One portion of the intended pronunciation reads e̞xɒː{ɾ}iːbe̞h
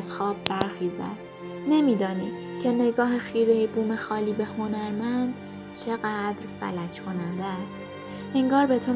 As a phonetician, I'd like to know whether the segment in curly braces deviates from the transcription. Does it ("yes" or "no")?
yes